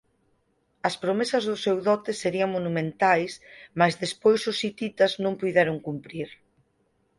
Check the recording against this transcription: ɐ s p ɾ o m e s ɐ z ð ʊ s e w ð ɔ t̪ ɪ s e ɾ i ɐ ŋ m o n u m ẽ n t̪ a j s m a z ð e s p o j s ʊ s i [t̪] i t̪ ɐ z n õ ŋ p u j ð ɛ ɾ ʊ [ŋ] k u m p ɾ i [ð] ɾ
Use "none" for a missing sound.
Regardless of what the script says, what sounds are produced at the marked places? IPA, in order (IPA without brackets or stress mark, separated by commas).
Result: t̪, ŋ, none